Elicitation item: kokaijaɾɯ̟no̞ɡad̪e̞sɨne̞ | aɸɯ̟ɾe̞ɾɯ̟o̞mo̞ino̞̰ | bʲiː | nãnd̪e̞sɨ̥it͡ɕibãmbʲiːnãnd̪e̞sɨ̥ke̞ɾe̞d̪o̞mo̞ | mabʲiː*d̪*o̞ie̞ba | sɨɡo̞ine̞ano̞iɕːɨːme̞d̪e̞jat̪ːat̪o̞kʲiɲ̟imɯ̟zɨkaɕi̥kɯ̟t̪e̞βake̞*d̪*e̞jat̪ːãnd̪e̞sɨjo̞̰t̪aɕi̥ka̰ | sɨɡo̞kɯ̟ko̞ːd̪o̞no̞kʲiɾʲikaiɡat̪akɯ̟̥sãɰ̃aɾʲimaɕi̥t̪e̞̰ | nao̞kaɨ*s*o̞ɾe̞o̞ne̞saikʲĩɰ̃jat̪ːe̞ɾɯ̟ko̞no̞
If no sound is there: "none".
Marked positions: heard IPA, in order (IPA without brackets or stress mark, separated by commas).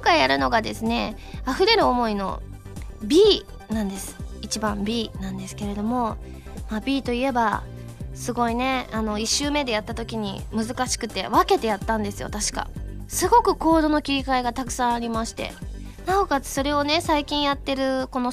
t̪, t̪, s